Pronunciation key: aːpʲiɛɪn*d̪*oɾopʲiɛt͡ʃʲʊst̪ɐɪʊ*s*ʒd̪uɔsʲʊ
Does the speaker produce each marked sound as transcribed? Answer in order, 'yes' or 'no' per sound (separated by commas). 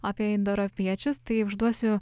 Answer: yes, no